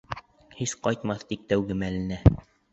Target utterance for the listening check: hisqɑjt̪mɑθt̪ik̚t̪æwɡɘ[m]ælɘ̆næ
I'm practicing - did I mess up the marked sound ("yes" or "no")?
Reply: no